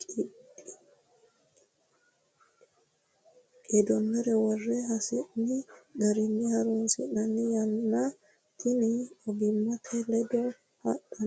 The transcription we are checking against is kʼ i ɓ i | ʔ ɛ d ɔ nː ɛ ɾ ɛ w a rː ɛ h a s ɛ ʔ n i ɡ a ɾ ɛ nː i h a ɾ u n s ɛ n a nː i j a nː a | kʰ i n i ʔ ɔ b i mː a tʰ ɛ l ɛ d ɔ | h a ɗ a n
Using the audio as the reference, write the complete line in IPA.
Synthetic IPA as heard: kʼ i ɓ i | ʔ ɛ d ɔ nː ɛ ɾ ɛ w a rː ɛ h a s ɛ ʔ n i ɡ a ɾ i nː i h a ɾ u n s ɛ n a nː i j a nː a | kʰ i n i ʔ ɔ b i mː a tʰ ɛ l ɛ d ɔ | h a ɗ a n